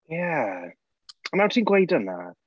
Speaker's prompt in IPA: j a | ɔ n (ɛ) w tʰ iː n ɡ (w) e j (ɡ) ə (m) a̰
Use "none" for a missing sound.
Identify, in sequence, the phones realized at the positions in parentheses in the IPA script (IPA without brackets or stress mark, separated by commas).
a, w, d, n